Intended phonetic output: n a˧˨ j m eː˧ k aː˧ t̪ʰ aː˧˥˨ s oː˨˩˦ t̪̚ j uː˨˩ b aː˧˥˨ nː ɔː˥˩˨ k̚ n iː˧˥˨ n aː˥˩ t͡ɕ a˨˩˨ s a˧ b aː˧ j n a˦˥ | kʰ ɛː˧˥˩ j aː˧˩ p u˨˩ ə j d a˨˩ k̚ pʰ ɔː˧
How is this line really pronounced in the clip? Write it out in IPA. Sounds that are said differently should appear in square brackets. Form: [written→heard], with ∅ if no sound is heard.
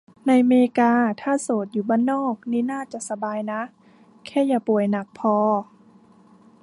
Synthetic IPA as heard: n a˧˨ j m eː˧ k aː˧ t̪ʰ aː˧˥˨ s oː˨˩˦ t̪̚ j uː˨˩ b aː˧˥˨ nː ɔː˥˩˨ k̚ n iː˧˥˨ n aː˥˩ t͡ɕ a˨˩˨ s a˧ b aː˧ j n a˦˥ | kʰ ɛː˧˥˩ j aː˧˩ p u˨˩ ə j [d→n] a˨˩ k̚ pʰ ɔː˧